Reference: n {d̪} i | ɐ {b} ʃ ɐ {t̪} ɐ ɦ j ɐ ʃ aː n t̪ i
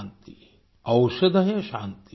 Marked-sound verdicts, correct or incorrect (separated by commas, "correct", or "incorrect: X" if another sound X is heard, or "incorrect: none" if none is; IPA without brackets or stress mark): incorrect: t̪, incorrect: w, incorrect: d̪